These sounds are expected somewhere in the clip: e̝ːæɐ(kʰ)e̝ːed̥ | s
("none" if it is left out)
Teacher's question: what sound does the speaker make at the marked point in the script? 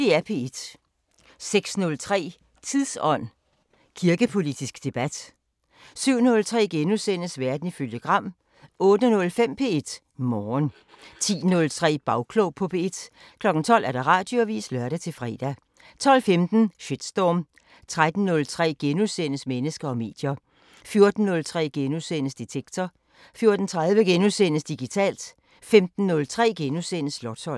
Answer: pʰ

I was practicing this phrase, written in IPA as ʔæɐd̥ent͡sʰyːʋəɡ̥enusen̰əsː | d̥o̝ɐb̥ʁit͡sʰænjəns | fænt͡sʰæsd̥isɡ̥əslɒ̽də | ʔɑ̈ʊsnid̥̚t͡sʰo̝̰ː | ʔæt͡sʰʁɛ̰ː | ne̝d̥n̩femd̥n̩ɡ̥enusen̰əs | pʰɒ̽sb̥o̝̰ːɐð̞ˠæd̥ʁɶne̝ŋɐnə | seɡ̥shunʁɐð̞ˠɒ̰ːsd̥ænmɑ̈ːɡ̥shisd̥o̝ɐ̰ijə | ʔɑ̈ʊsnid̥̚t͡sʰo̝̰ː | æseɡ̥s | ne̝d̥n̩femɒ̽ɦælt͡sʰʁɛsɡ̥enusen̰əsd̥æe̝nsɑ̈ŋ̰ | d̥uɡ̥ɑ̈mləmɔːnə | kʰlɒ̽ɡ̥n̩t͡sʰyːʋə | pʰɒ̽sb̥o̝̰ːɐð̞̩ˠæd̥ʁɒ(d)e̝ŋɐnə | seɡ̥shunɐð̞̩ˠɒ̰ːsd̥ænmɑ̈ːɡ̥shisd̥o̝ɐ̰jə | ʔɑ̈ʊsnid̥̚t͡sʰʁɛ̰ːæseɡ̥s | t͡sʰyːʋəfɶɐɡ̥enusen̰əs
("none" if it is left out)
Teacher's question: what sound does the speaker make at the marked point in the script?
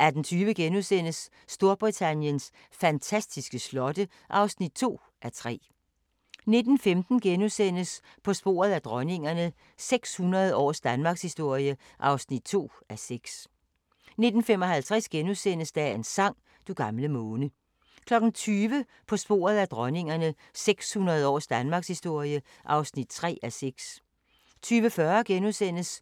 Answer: n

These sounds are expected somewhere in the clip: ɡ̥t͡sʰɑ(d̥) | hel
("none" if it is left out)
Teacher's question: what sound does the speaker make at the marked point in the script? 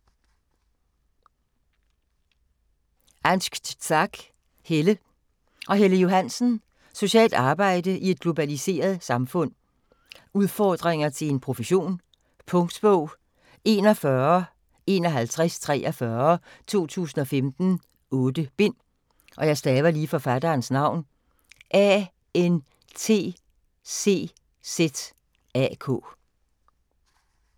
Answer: ɡ̥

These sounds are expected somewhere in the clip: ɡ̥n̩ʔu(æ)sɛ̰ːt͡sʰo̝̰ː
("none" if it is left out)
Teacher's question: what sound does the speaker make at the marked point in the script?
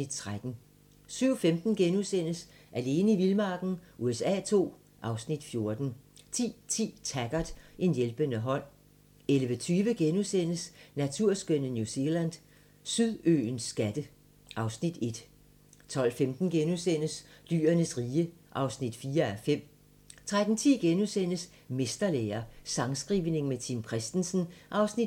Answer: e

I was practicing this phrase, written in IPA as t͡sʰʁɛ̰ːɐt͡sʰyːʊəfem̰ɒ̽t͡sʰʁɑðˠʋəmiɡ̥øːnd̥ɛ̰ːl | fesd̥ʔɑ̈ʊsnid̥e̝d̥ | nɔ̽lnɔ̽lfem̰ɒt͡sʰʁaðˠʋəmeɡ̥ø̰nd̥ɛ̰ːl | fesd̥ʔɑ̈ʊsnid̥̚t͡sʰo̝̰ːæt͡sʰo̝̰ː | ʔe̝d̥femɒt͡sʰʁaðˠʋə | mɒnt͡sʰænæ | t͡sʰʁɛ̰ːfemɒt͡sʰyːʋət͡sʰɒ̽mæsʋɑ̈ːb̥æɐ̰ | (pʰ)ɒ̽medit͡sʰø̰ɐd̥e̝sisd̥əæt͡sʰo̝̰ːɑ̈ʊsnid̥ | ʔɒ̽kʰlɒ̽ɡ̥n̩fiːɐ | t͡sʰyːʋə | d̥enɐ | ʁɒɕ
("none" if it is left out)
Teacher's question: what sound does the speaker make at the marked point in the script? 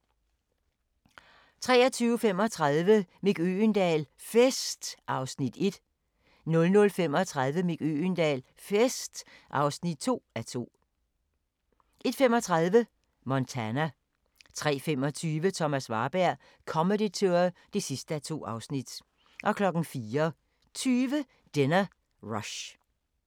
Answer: kʰ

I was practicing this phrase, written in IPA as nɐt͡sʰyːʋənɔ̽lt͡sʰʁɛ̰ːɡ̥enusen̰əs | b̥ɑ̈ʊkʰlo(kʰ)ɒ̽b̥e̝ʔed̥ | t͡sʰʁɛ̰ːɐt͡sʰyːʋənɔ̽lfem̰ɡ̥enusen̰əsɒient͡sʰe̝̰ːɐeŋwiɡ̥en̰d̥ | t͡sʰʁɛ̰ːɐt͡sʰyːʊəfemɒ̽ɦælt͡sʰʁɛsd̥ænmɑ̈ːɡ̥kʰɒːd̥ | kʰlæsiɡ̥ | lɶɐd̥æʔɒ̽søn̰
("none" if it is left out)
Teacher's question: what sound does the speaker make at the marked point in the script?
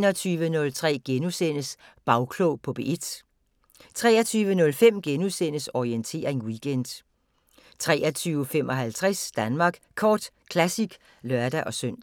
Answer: pʰ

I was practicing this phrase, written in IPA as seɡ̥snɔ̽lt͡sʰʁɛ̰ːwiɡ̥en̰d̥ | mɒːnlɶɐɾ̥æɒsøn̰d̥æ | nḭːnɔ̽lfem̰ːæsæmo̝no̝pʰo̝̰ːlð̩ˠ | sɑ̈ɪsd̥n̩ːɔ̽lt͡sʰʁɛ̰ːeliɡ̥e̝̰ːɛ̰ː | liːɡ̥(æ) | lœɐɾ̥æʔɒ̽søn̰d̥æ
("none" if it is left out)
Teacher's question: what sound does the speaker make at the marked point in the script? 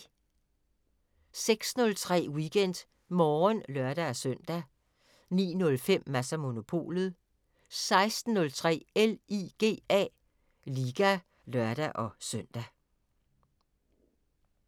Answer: æ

